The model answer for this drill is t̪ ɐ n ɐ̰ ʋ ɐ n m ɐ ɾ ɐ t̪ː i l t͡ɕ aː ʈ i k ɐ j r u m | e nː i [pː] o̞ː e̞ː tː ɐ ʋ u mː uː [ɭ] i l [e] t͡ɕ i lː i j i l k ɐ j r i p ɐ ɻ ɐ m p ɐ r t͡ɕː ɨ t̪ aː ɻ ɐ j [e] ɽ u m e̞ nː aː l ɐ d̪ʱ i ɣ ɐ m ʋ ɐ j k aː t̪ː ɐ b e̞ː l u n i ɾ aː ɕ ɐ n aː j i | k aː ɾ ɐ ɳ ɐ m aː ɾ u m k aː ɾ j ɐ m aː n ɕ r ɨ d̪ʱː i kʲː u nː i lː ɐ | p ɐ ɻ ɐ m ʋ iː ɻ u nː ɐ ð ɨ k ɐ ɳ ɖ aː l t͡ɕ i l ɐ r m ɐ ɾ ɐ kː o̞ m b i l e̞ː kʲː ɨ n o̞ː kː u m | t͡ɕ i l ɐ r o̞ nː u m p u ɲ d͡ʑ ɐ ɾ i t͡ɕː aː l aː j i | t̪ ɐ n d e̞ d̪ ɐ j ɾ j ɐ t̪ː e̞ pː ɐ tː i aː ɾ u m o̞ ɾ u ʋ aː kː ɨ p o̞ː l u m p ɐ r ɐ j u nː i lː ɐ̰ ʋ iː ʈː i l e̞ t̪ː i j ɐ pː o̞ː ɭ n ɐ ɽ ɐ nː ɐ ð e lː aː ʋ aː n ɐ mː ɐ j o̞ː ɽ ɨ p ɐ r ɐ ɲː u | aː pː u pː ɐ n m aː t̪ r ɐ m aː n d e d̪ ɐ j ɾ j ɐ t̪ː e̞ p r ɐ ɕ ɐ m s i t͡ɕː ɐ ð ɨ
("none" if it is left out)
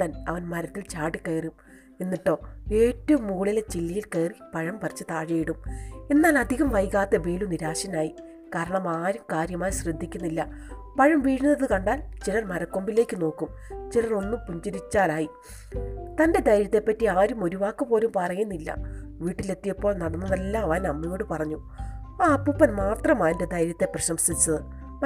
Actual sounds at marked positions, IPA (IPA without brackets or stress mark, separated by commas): ʈː, ɭ, e, i